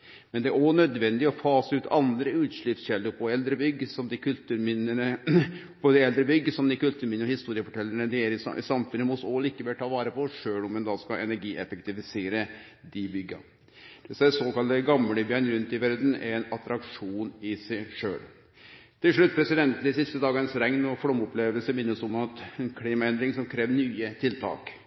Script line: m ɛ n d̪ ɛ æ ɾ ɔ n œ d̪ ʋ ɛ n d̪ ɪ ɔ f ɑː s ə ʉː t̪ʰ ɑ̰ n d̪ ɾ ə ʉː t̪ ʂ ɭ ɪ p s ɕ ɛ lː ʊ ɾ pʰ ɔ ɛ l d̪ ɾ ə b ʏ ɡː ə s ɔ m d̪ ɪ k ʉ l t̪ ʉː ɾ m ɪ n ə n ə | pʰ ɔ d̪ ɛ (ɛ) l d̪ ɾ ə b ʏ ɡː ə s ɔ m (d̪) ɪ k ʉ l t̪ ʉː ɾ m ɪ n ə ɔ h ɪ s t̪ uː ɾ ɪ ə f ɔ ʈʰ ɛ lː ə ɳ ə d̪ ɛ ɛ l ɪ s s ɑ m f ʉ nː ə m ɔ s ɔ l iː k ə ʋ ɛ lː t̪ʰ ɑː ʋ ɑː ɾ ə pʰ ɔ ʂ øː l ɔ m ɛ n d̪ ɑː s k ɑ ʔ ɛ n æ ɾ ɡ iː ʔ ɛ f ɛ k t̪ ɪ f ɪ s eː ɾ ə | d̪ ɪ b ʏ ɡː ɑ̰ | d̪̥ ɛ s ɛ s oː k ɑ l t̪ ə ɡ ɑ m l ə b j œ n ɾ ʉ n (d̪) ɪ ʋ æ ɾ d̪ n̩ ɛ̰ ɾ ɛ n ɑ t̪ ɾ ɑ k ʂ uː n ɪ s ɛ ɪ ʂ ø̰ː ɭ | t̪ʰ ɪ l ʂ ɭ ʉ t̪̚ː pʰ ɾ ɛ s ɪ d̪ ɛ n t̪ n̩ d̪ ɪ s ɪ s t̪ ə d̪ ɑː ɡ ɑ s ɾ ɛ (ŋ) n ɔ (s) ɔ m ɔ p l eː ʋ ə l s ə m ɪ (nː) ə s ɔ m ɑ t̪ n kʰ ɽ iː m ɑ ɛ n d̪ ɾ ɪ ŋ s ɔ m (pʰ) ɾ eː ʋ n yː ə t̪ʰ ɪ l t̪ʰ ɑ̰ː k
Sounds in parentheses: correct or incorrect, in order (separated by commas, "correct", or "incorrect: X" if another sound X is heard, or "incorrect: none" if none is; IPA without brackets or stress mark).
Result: correct, correct, incorrect: t̪, correct, incorrect: f, correct, incorrect: kʰ